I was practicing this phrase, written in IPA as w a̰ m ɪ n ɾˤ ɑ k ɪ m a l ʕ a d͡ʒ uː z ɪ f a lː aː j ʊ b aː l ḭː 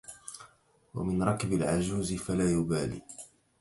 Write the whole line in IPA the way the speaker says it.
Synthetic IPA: w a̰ m ɪ n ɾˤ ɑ k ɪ b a l ʕ a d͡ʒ uː z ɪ f a l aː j ʊ b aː l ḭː